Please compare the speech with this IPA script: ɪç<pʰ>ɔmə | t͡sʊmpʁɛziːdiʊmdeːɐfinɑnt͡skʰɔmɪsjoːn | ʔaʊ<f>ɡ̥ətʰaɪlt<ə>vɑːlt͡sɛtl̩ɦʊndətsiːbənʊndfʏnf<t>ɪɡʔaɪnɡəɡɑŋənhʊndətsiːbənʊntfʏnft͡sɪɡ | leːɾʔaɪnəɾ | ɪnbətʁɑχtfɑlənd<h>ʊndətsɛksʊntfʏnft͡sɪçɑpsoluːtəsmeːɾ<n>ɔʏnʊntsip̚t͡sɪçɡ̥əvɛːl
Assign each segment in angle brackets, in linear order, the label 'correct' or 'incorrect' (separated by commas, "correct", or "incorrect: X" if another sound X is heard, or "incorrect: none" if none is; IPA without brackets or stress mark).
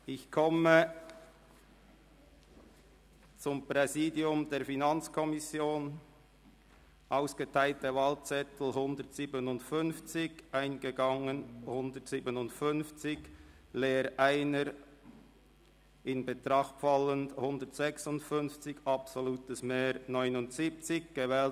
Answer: incorrect: kʰ, incorrect: s, correct, incorrect: t͡s, correct, correct